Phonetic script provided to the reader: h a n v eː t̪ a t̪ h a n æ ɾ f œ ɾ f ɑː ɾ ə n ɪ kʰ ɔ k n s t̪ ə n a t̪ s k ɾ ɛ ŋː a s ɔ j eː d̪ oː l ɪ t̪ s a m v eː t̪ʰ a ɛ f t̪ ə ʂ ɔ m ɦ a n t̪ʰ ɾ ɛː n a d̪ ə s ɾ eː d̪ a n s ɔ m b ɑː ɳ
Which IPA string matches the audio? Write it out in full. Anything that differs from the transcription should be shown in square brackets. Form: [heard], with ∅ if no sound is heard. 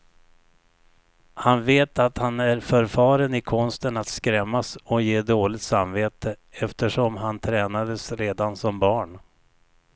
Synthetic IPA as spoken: h a n v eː t̪ a t̪ h a n æ ɾ f œ ɾ f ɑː ɾ ə n ɪ kʰ ɔ [∅] n s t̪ ə n a t̪ s k ɾ ɛ [mː] a s ɔ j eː d̪ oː l ɪ t̪ s a m v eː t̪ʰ [ə] ɛ f t̪ ə ʂ ɔ m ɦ a n t̪ʰ ɾ ɛː n a d̪ ə s ɾ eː d̪ a n s ɔ m b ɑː ɳ

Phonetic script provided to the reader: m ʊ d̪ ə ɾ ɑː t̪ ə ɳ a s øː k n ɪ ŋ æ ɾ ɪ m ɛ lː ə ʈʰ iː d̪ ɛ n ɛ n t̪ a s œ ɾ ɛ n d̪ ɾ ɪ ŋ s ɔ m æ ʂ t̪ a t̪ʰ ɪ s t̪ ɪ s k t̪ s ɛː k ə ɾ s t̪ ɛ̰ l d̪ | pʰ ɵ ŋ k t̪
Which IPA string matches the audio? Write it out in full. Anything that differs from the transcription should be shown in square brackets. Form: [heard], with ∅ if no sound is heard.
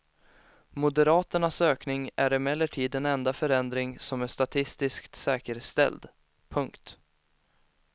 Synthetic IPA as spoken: m ʊ d̪ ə ɾ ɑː t̪ ə ɳ a s øː k n ɪ ŋ æ ɾ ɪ m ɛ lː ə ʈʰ iː d̪ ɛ n ɛ n [d̪] a [f] œ ɾ ɛ n d̪ ɾ ɪ ŋ s ɔ m æ ʂ t̪ a t̪ʰ ɪ s t̪ ɪ s k t̪ s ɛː k ə ɾ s t̪ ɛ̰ l d̪ | pʰ ɵ ŋ k t̪

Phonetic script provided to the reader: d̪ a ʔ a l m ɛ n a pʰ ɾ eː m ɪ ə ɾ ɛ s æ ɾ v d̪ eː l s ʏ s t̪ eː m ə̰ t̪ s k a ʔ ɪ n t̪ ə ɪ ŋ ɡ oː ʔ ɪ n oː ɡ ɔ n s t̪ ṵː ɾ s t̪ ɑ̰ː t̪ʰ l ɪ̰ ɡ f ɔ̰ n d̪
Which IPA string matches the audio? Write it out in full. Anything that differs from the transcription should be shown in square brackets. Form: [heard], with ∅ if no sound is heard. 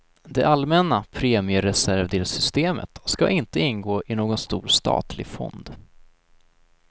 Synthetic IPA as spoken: d̪ [ɛ] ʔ a l m ɛ n a pʰ ɾ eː m ɪ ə ɾ ɛ s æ ɾ v d̪ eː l s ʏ s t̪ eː m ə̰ t̪ s k a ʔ ɪ n t̪ ə ɪ [n] ɡ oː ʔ ɪ n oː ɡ ɔ n s t̪ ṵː ɾ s t̪ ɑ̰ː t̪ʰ l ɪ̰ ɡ f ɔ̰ n d̪

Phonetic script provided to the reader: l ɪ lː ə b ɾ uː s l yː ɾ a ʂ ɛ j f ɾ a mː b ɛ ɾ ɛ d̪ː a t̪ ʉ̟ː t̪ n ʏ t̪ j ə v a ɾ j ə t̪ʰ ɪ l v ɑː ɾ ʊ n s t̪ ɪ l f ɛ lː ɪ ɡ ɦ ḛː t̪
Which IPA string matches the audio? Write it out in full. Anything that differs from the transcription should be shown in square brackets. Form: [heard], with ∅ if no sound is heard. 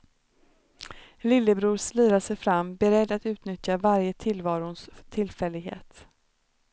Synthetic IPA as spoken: l ɪ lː ə b ɾ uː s l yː ɾ a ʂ ɛ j f ɾ a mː b ɛ ɾ ɛ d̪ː a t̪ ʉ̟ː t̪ n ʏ t̪ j [a] v a ɾ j ə t̪ʰ ɪ l v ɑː ɾ ʊ n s [t̪ʰ] ɪ l f ɛ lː ɪ ɡ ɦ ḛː t̪

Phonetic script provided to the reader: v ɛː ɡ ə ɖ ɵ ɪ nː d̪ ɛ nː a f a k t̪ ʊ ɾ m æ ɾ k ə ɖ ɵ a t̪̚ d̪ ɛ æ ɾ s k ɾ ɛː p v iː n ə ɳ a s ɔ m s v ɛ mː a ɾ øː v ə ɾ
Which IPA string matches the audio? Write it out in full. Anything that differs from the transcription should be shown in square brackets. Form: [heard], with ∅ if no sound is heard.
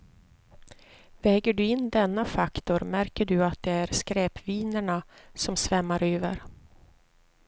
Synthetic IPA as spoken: v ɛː ɡ ə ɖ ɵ ɪ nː d̪ ɛ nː a f a k t̪ ʊ ɾ m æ ɾ k ə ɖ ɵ a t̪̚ d̪ ɛ æ ɾ s k ɾ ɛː p v iː n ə ɳ a s ɔ m s v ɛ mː a ɾ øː v ə ɾ

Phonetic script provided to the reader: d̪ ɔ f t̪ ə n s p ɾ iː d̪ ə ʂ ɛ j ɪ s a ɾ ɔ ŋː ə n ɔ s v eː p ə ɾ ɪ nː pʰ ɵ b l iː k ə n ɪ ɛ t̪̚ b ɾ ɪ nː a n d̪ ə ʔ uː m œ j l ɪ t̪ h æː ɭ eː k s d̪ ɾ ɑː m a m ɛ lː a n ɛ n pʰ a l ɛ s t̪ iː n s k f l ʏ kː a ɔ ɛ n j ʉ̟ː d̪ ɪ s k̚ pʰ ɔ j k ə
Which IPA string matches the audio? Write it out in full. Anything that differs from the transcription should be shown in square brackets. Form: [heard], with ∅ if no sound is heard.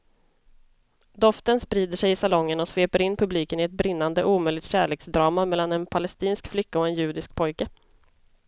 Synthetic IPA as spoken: d̪ ɔ f t̪ ə n s p ɾ iː d̪ ə ʂ ɛ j ɪ s a [l] ɔ ŋː ə n ɔ s v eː p ə ɾ ɪ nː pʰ ɵ b l iː k ə n ɪ ɛ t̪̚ b ɾ ɪ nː a n d̪ ə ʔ uː m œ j l ɪ t̪ [ɕ] æː ɭ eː k s d̪ ɾ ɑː m a m ɛ lː a n ɛ n pʰ a l ɛ s t̪ iː n s k f l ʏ kː a ɔ ɛ n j ʉ̟ː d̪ ɪ s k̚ pʰ ɔ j k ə

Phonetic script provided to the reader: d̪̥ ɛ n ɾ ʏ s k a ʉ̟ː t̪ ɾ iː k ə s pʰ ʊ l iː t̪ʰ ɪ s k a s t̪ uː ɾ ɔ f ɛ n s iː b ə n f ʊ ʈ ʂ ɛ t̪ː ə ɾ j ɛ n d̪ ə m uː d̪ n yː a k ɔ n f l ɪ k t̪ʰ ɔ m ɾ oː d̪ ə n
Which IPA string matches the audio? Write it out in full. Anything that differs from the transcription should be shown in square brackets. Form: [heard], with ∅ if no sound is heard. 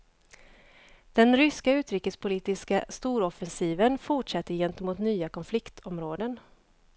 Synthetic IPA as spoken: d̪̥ ɛ n ɾ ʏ s k a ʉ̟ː t̪ ɾ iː k ə s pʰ ʊ l iː [t̪] ɪ s k a s t̪ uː ɾ ɔ f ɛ n s iː [v] ə n f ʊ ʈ ʂ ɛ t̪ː ə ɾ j ɛ n [t̪] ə m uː [t̪] n yː a k ɔ n f l ɪ k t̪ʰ ɔ m ɾ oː d̪ ə n

